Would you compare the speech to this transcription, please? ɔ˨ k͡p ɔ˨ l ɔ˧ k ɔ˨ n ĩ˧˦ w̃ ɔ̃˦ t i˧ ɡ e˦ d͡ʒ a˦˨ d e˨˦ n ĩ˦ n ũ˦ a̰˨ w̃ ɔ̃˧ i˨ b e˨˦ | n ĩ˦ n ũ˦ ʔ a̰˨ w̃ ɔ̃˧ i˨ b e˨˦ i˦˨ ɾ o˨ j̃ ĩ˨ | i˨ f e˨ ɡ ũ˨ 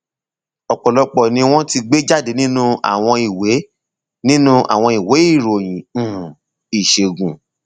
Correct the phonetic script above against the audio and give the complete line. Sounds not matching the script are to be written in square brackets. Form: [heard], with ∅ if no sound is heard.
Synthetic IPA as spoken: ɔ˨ k͡p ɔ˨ l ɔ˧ [k͡p] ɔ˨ n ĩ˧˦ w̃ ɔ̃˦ t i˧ [ɡ͡b] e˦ d͡ʒ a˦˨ d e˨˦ n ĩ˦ n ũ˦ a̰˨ w̃ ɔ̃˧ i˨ [w] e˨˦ | n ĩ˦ n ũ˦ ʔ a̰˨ w̃ ɔ̃˧ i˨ [w] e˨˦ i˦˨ ɾ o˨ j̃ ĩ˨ | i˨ [ʃ] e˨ ɡ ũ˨